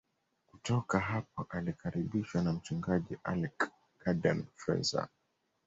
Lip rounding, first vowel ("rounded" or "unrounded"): rounded